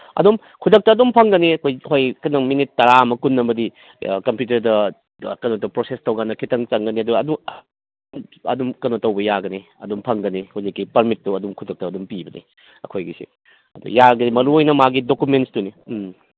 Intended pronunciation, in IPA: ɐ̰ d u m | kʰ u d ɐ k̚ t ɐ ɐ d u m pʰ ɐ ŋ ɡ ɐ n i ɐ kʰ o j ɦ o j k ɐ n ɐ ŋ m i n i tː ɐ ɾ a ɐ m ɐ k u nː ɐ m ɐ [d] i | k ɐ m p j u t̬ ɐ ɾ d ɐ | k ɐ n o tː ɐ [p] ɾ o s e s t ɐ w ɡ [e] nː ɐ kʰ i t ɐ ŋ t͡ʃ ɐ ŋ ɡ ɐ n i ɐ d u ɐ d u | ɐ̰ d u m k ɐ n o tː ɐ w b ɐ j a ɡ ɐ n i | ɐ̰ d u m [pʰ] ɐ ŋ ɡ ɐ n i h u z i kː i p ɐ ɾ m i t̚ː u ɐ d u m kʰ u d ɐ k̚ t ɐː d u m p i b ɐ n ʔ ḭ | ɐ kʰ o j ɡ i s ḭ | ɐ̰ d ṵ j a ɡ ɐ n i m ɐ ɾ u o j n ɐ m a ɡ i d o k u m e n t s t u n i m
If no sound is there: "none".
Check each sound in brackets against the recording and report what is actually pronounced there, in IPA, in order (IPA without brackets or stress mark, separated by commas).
d, p, a, pʰ